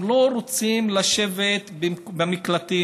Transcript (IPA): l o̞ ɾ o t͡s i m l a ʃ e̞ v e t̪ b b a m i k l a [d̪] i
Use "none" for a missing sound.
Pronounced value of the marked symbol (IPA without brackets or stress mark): t̪